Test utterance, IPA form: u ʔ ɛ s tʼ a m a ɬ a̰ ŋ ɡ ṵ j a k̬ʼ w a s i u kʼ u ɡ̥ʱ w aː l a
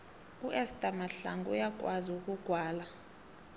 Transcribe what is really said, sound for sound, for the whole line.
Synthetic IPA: u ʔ ɛ s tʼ a m a ɬ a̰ ŋ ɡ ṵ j a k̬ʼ w a z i u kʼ u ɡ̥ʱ w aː l a